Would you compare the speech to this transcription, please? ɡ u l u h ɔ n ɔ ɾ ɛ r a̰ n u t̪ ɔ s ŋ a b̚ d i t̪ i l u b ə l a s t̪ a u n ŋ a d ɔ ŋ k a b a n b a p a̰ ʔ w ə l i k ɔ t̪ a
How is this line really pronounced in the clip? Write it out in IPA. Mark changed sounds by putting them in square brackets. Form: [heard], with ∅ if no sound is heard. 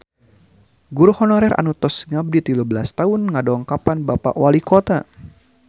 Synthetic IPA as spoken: ɡ u [ɾ] u h ɔ n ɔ ɾ ɛ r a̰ n u t̪ ɔ s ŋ a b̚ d i t̪ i l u b ə l a s t̪ a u n ŋ a d ɔ ŋ k a [p] a n b a p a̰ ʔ w [a] l i k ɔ t̪ a